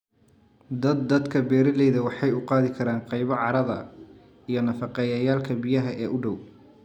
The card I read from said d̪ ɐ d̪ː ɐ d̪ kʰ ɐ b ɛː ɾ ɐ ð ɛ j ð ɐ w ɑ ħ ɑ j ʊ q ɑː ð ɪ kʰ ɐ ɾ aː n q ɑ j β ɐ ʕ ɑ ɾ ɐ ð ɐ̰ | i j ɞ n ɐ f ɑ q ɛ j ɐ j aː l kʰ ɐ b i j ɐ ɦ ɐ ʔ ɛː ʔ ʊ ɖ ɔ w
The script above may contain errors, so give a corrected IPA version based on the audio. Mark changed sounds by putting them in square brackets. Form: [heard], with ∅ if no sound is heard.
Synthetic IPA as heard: d̪ ɐ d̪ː ɐ d̪ kʰ ɐ b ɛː ɾ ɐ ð ɛ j ð ɐ w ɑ ħ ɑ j ʊ q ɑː ð ɪ kʰ ɐ ɾ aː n q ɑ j β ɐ ʕ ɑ ɾ ɐ ð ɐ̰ | i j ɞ n ɐ f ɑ q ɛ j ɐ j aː l kʰ ɐ b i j ɐ ɦ ɐ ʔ ɛː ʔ ʊ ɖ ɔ w